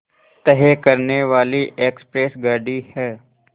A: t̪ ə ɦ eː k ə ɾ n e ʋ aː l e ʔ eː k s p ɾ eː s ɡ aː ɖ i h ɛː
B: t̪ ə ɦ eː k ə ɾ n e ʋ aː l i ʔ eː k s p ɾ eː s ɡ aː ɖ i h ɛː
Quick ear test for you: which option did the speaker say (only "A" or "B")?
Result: B